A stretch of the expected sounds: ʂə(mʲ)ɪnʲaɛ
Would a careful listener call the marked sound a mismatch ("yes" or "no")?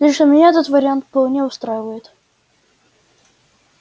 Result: no